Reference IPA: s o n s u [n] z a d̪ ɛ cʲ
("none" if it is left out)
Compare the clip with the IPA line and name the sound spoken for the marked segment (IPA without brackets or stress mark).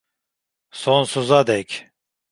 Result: none